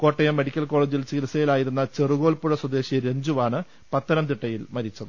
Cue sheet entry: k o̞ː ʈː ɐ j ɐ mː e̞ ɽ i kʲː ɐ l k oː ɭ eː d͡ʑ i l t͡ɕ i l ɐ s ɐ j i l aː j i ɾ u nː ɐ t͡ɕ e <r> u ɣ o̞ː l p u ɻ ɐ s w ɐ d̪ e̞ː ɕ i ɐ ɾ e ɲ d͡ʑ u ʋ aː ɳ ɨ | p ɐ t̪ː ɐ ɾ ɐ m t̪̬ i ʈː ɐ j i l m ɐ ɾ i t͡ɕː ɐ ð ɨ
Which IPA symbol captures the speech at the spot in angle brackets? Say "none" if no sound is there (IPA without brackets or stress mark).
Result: r